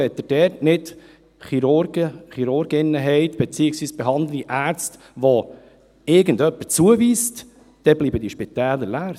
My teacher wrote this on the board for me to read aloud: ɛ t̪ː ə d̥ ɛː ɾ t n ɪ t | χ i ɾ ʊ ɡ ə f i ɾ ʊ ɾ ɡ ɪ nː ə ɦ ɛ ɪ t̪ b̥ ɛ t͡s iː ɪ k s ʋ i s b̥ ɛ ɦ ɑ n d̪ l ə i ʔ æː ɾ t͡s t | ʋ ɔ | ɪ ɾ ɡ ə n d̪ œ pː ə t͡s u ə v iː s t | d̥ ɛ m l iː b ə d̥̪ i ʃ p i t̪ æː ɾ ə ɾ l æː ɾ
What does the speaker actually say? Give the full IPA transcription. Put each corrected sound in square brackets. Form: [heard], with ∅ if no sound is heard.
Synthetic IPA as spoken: ɛ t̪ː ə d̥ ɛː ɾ t n ɪ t | χ i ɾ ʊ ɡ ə [χ] i ɾ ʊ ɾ ɡ ɪ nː ə ɦ ɛ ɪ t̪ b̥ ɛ t͡s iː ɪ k s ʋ [iː] s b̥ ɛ ɦ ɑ n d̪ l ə i ʔ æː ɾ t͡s t | ʋ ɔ | ɪ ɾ ɡ ə n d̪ œ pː ə t͡s u ə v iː s t | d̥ ɛ [b] l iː b ə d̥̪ i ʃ p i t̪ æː [l] ə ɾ l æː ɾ